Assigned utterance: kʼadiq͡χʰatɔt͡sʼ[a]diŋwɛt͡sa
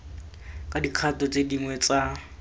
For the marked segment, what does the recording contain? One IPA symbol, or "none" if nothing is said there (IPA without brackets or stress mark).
e